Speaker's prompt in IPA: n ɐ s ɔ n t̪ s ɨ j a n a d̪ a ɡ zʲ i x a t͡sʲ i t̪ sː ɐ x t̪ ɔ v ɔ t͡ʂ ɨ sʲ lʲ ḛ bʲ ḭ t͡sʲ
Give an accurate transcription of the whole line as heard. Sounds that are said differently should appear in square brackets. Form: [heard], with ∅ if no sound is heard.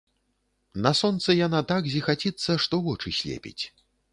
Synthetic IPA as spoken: n ɐ s ɔ n t̪ s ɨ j a n a [t̪] a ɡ zʲ i x a t͡sʲ i t̪ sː ɐ [ʂ] t̪ ɔ v ɔ t͡ʂ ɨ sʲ lʲ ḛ [pʲ] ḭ t͡sʲ